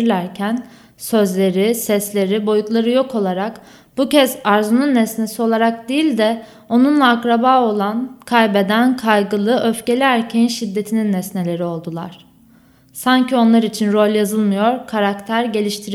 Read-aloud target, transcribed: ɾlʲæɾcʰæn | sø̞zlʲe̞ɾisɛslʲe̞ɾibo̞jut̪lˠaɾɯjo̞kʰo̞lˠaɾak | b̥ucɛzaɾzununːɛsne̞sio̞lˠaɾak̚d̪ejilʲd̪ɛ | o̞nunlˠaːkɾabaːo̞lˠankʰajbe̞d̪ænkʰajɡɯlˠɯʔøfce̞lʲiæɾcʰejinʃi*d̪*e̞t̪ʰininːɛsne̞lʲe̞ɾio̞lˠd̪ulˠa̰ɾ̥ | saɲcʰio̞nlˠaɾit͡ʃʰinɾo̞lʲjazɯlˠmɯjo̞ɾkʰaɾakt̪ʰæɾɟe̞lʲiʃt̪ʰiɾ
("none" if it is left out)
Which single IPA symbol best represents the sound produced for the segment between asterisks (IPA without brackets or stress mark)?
d̪ː